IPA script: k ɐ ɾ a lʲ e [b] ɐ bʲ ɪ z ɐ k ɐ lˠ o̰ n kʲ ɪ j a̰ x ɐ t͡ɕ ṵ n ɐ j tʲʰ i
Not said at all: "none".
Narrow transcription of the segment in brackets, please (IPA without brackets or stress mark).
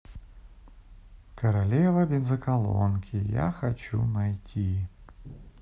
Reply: v